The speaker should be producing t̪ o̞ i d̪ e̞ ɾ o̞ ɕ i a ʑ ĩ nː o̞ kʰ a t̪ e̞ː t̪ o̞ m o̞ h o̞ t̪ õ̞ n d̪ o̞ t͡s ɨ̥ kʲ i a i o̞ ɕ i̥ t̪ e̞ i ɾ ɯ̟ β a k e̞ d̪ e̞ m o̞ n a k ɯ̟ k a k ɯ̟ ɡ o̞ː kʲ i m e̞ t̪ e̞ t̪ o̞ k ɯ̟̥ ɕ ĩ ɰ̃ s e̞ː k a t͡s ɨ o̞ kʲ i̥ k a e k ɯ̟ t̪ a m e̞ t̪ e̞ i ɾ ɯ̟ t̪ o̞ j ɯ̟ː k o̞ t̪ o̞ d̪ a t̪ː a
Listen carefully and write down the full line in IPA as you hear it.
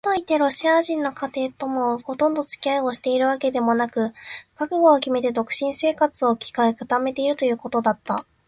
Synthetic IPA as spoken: t̪ o̞ i t̪ e̞ ɾ o̞ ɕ i a ʑ ĩ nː o̞ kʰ a t̪ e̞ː t̪ o̞ m o̞ h o̞ t̪ õ̞ n d̪ o̞ t͡s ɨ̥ kʲ i a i o̞ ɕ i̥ t̪ e̞ i ɾ ɯ̟ β a k e̞ d̪ e̞ m o̞ n a k ɯ̟ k a k ɯ̟ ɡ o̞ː kʲ i m e̞ t̪ e̞ d̪ o̞ k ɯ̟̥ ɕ ĩ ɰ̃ s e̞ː k a t͡s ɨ o̞ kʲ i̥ k a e k ɯ̟ t̪ a m e̞ t̪ e̞ i ɾ ɯ̟ t̪ o̞ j ɯ̟ː k o̞ t̪ o̞ d̪ a t̪ː a

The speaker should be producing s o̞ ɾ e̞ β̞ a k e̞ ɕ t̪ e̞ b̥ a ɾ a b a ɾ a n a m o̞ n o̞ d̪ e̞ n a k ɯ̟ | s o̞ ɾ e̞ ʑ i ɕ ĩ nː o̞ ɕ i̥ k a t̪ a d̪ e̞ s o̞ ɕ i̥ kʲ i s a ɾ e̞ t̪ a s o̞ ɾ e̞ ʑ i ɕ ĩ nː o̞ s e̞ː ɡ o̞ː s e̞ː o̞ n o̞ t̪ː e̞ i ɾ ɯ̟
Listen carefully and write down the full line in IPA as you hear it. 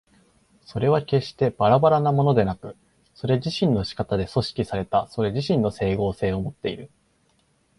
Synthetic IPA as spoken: s o̞ ɾ e̞ β̞ a k e̞ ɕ t̪ e̞ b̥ a ɾ a b a ɾ a n a m o̞ n o̞ d̪ e̞ n a k ɯ̟ | s o̞ ɾ e̞ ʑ i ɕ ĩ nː o̞ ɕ i̥ k a t̪ a d̪ e̞ s o̞ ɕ i̥ kʲ i s a ɾ e̞ t̪ a s o̞ ɾ e̞ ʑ i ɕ ĩ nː o̞ s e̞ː ɡ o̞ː s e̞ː o̞ m o̞ t̪ː e̞ i ɾ ɯ̟

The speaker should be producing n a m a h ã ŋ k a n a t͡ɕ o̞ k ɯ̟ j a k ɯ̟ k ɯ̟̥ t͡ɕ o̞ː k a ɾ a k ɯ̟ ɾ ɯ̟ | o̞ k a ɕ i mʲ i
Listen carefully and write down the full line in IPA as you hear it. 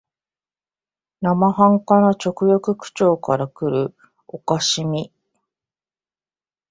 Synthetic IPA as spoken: n a m a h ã ŋ k a n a t͡ɕ o̞ k ɯ̟ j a k ɯ̟ k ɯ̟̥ t͡ɕ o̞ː k a ɾ a k ɯ̟ ɾ ɯ̟ | o̞ k a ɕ i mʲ i

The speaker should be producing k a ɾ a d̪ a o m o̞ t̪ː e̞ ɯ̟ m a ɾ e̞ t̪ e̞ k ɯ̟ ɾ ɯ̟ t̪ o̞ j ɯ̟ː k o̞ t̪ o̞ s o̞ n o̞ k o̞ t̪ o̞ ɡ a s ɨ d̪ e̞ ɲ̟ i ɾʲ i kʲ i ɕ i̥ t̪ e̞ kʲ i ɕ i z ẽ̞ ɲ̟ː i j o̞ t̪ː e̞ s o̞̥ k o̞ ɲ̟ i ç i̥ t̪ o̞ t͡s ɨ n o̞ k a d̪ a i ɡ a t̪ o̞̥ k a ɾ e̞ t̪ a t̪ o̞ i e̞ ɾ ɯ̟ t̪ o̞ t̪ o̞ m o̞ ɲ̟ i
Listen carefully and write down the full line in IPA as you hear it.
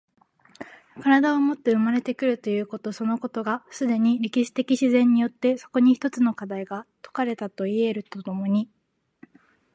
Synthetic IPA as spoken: k a ɾ a d̪ a o m o̞ t̪ː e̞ ɯ̟ m a ɾ e̞ t̪ e̞ k ɯ̟ ɾ ɯ̟ t̪ o̞ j ɯ̟ː k o̞ t̪ o̞ s o̞ n o̞ k o̞ t̪ o̞ ɡ a s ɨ d̪ e̞ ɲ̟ i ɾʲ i kʲ i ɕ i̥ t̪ e̞ kʲ i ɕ i z ẽ̞ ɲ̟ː i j o̞ t̪ː e̞ s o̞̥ k o̞ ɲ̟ i ç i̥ t̪ o̞ t͡s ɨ n o̞ k a d̪ a i ɡ a t̪ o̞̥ k a ɾ e̞ t̪ a t̪ o̞ i e̞ ɾ ɯ̟ t̪ o̞ t̪ o̞ m o̞ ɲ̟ i

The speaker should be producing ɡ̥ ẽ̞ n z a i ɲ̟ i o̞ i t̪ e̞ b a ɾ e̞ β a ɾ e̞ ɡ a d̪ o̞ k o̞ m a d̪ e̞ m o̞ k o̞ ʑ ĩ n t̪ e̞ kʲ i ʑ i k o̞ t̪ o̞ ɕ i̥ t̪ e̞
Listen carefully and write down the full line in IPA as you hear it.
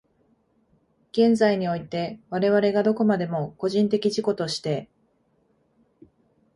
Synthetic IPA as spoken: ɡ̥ ẽ̞ n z a i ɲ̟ i o̞ i t̪ e̞ β a ɾ e̞ β a ɾ e̞ ɡ a d̪ o̞ k o̞ m a d̪ e̞ m o̞ k o̞ ʑ ĩ n t̪ e̞ kʲ i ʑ i k o̞ t̪ o̞ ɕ i̥ t̪ e̞

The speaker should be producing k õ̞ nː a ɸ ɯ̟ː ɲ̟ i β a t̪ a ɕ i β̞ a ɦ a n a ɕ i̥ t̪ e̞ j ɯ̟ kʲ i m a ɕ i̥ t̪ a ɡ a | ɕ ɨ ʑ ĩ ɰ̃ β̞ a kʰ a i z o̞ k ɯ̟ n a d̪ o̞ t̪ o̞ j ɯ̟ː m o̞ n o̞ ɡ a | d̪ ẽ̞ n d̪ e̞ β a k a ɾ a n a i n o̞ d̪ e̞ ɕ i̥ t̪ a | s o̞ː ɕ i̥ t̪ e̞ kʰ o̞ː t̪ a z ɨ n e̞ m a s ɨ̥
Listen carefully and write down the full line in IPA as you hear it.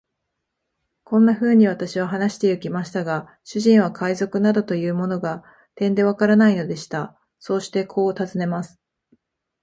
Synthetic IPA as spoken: k õ̞ nː a ɸ ɯ̟ː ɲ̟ i β a t̪ a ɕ i β̞ a ɦ a n a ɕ i̥ t̪ e̞ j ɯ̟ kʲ i m a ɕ i̥ t̪ a ɡ a | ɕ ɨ ʑ ĩ ɰ̃ β̞ a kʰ a i z o̞ k ɯ̟ n a d̪ o̞ t̪ o̞ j ɯ̟ː m o̞ n o̞ ɡ a | t̪ ẽ̞ n d̪ e̞ β a k a ɾ a n a i n o̞ d̪ e̞ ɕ i̥ t̪ a | s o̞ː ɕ i̥ t̪ e̞ kʰ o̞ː t̪ a z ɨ n e̞ m a s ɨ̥

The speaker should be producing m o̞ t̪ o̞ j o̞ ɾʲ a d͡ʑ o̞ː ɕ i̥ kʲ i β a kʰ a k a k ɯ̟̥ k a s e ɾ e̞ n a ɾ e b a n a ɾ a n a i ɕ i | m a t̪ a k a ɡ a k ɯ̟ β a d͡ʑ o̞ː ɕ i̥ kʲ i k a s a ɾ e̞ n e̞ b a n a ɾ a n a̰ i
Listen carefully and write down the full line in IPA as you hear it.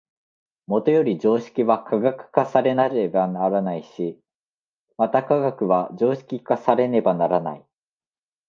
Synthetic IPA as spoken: m o̞ t̪ o̞ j o̞ ɾʲ i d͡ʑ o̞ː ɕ i̥ kʲ i β a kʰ a ɡ a k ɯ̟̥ k a s a ɾ e̞ n a ɾ e b a n a ɾ a n a i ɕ i | m a t̪ a k a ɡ a k ɯ̟ β a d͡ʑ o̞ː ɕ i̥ kʲ i k a s a ɾ e̞ n e̞ b a n a ɾ a n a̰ i

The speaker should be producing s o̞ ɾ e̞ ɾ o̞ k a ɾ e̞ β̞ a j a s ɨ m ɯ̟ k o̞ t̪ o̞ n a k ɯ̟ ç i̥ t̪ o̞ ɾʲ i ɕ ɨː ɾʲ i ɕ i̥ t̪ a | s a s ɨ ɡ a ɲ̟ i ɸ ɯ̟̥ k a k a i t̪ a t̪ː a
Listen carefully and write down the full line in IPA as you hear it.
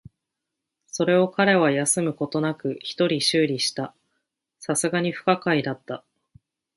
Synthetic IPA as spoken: s o̞ ɾ e̞ o̞ k a ɾ e̞ β̞ a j a s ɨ m ɯ̟ k o̞ t̪ o̞ n a k ɯ̟ ç i̥ t̪ o̞ ɾʲ i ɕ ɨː ɾʲ i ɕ i̥ t̪ a | s a s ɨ ɡ a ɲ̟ i ɸ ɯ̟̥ k a k a i d̪ a t̪ː a

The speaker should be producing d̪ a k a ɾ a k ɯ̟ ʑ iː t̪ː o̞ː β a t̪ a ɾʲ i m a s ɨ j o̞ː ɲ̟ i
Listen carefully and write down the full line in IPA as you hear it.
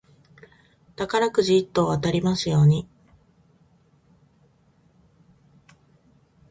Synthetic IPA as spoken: t̪ a k a ɾ a k ɯ̟ ʑ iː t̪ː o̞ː β a t̪ a ɾʲ i m a s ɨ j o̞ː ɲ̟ i

